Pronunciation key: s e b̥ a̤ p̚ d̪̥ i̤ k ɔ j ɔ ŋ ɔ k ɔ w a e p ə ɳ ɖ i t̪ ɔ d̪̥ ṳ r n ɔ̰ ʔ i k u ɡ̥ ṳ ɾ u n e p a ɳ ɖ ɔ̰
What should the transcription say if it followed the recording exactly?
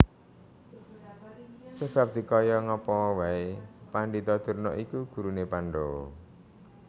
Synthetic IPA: s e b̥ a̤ p̚ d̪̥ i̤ k ɔ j ɔ ŋ ɔ p ɔ w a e p a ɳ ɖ i t̪ ɔ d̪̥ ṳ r n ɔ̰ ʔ i k u ɡ̥ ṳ ɾ u n e p a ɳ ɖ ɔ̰